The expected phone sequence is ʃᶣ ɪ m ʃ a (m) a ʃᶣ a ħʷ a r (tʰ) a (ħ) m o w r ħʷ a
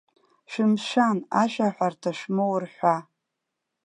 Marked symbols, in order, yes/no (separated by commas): no, yes, no